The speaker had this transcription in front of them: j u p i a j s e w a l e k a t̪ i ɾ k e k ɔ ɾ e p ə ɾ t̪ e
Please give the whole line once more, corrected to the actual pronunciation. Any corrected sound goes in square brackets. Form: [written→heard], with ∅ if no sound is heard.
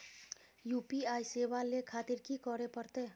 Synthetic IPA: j u p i a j s e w a l e [k→kʰ] a t̪ i ɾ k [e→i] k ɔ ɾ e p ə ɾ t̪ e